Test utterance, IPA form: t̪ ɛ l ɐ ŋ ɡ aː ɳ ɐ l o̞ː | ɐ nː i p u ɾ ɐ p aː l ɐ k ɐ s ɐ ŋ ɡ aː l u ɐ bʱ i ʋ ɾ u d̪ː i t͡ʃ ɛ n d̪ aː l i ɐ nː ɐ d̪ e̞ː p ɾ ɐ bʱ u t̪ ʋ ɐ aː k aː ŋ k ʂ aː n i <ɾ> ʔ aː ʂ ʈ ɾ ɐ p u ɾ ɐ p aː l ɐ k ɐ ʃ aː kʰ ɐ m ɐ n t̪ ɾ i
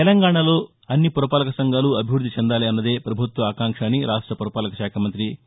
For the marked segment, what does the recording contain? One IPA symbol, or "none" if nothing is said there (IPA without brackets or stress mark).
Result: ɾ